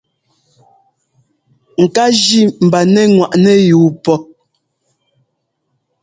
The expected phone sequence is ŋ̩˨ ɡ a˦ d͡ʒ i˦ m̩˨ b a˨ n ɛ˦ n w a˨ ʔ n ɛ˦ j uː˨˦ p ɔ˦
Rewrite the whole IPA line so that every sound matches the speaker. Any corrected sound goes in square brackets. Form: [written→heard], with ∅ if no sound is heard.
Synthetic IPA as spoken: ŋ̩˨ [ɡ→k] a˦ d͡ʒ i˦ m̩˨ b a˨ n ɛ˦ [n→ŋ] w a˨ ʔ n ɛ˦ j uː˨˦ p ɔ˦